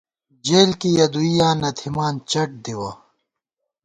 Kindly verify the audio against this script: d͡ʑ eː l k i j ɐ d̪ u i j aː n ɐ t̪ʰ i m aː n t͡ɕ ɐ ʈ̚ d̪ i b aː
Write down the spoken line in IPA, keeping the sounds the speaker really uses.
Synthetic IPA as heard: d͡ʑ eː l k i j ɐ d̪ u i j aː n ɐ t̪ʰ i m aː n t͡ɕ ɐ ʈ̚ d̪ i w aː